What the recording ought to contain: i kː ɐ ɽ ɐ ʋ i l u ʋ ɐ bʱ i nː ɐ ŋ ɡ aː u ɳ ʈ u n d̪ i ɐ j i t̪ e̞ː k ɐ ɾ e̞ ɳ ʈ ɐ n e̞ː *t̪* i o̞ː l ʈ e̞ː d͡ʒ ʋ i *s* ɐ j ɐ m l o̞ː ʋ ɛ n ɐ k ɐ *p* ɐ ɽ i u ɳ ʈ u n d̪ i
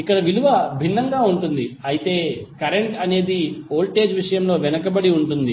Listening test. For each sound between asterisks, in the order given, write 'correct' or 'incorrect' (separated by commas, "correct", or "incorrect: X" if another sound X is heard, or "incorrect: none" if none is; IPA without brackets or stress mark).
incorrect: d̪, incorrect: ʂ, incorrect: b